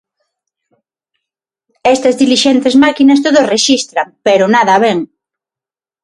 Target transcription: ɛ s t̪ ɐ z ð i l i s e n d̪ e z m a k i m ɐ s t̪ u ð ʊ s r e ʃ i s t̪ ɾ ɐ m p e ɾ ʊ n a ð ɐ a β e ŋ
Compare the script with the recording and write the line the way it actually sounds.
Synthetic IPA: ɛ s t̪ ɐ z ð i l i ʃ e n t̪ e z m a k i n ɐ s t̪ o ð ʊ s r e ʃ i s t̪ ɾ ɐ m p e ɾ ʊ n a ð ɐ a β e ŋ